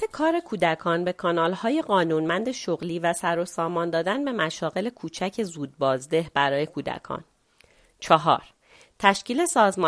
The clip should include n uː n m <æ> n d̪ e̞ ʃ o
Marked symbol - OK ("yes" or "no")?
yes